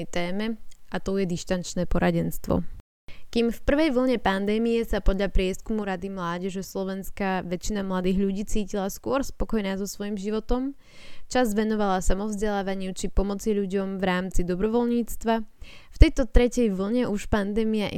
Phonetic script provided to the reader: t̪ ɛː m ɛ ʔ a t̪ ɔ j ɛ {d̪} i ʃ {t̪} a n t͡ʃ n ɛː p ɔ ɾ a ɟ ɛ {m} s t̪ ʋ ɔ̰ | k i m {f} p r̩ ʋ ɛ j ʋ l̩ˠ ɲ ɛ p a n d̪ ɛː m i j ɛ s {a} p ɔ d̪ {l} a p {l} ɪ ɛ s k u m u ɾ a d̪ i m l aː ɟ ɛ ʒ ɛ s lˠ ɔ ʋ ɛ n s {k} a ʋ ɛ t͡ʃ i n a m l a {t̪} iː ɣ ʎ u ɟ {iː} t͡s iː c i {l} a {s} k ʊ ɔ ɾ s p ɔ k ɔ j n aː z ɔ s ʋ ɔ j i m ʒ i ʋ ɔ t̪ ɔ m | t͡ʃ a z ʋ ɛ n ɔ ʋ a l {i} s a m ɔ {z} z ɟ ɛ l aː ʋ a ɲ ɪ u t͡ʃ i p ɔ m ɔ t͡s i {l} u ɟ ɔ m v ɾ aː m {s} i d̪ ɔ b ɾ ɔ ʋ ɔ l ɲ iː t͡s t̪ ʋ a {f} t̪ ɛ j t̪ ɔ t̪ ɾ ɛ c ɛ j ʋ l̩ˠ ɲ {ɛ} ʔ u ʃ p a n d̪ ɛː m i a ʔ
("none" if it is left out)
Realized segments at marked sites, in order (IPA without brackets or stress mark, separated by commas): d̪, t̪, n, f, a, ʎ, ɾ, k, d̪, iː, l, s, a, v, ʎ, t͡s, f, ɛ